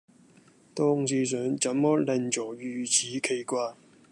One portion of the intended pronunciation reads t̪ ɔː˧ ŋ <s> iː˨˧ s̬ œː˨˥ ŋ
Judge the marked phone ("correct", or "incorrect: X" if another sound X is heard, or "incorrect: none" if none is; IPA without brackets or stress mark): correct